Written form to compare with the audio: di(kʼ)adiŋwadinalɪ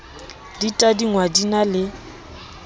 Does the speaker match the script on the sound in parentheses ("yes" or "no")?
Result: no